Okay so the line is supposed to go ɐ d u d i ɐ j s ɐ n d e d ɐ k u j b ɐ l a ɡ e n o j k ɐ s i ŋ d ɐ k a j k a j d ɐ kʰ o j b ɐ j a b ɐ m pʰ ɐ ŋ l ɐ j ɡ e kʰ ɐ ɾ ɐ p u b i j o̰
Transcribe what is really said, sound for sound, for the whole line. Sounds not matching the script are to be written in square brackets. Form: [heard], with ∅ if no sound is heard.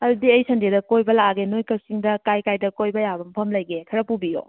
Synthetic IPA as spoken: ɐ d u d i ɐ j s ɐ n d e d ɐ k [o] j b ɐ l a ɡ e n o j k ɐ s i ŋ d ɐ k a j k a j d ɐ [k] o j b ɐ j a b ɐ m pʰ ɐ [m] l ɐ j ɡ e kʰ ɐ ɾ ɐ p u b i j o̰